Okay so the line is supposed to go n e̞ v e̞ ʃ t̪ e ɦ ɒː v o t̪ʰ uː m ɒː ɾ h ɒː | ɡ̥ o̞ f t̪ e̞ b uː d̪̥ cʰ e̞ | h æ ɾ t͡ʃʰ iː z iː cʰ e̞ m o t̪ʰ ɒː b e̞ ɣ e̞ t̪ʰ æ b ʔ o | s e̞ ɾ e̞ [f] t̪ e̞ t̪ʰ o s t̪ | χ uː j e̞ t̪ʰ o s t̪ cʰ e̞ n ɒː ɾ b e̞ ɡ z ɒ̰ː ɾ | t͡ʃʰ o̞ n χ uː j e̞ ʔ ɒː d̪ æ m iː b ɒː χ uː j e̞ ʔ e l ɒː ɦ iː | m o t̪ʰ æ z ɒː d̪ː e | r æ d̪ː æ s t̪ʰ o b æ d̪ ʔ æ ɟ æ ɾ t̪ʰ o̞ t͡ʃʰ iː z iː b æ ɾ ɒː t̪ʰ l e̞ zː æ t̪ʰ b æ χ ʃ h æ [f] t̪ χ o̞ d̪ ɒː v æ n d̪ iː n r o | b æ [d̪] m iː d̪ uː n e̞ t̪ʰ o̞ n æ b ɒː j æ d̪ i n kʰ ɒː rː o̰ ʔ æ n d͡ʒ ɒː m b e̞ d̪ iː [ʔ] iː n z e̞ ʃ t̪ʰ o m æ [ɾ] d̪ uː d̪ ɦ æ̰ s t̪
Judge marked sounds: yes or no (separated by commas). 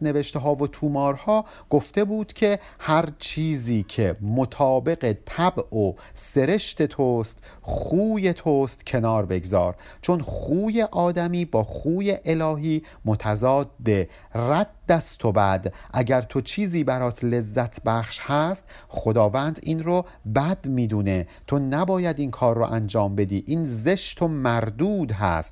no, no, yes, yes, yes